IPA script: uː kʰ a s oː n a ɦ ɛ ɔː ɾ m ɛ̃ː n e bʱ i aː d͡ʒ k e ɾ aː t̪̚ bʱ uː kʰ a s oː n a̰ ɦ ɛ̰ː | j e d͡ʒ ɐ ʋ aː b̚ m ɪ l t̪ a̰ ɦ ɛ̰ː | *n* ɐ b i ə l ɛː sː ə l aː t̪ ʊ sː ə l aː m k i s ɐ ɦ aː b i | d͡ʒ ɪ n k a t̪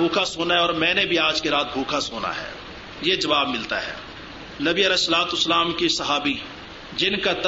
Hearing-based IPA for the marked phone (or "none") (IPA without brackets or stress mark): n